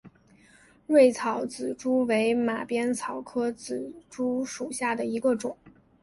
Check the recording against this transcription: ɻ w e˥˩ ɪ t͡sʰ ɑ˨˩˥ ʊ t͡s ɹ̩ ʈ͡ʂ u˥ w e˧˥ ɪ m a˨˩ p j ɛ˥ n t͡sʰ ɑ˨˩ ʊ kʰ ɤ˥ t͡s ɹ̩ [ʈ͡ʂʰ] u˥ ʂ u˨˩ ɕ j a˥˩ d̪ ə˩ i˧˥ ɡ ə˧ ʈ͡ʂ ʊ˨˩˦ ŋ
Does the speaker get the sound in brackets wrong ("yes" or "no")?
yes